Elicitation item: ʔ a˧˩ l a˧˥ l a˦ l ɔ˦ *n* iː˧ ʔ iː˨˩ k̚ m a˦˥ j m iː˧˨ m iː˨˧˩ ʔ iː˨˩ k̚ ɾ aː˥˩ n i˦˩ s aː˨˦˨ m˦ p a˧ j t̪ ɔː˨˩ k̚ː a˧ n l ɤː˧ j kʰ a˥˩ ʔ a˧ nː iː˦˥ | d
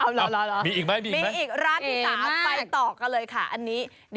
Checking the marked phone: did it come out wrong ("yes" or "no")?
yes